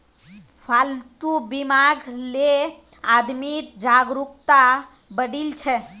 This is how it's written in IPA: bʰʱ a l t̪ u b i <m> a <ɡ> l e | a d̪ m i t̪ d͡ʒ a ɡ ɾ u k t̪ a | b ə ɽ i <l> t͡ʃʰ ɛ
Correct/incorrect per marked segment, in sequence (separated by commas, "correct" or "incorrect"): correct, correct, correct